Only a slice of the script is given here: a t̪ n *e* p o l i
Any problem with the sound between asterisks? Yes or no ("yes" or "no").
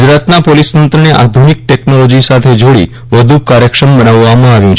yes